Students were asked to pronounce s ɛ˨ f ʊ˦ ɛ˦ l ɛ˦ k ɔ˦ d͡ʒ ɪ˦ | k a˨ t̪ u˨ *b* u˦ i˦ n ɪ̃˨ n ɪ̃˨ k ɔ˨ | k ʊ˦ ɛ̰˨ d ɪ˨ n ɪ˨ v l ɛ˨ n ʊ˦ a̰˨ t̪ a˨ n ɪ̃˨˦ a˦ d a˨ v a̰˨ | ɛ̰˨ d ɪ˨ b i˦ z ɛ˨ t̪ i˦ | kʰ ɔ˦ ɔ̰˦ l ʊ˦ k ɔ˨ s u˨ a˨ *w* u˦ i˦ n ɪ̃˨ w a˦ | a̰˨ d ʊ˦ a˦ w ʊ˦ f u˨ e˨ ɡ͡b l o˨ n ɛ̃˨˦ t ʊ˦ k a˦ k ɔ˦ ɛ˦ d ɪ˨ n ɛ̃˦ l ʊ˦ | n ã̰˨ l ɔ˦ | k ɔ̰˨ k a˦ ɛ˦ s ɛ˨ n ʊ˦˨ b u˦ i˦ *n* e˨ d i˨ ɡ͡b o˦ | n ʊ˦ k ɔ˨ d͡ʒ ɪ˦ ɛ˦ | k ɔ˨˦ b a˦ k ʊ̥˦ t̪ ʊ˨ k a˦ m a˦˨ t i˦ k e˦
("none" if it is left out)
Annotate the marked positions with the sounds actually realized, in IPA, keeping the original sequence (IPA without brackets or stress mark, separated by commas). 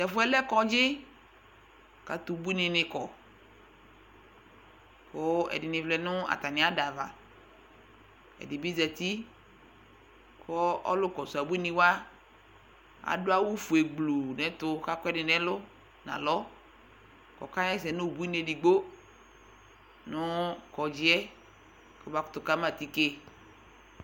b, b, n